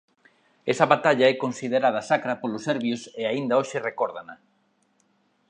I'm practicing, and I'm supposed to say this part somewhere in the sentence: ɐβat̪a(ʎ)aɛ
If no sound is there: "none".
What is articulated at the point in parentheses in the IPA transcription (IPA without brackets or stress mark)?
ʎ